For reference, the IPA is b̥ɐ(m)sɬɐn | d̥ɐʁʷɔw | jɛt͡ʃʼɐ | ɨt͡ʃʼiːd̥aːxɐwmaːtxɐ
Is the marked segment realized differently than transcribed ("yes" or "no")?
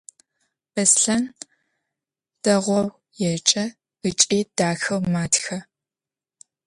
yes